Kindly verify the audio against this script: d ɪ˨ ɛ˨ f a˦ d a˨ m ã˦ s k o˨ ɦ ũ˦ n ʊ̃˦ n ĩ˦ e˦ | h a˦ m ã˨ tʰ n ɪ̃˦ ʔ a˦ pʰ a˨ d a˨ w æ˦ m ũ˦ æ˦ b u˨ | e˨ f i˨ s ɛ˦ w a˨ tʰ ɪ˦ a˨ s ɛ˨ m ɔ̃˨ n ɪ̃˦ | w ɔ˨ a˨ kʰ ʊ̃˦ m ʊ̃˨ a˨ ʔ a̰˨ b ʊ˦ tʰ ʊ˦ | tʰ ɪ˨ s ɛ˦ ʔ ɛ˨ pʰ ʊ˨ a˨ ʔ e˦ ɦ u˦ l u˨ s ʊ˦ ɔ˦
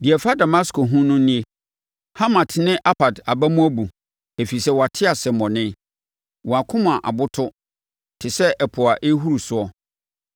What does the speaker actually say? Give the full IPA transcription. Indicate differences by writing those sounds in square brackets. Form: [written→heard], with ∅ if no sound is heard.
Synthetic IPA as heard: d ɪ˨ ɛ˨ f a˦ d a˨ m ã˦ s k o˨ ɦ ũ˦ n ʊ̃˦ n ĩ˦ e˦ | h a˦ m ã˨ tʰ n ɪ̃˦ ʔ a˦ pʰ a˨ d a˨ [w→b] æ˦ m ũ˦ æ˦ b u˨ | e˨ f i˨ s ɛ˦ w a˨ tʰ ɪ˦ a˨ s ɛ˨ m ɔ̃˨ n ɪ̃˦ | w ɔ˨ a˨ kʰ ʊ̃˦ m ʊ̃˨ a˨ ʔ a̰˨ b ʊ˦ tʰ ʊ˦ | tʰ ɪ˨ s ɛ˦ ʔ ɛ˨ pʰ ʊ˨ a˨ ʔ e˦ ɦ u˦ [l→ɾ] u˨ s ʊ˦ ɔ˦

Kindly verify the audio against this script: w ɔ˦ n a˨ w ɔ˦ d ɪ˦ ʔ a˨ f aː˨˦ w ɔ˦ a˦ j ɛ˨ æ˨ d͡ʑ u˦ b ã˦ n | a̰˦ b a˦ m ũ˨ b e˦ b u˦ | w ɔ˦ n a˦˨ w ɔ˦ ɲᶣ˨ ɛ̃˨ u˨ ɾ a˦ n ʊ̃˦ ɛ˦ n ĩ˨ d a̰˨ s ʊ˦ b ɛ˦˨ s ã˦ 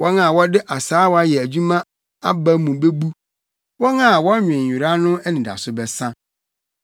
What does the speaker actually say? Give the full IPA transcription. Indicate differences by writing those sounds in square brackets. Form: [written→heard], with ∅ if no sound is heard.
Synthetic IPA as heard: w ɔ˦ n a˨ w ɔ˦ d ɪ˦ ʔ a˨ [f→s] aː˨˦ w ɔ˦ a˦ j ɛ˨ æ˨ d͡ʑ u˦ [b→m] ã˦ [n→∅] | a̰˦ b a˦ m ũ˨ b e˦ b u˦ | w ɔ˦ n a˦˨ w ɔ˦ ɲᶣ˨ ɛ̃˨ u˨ ɾ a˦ n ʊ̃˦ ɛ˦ n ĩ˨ d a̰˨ s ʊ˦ b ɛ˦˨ s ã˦

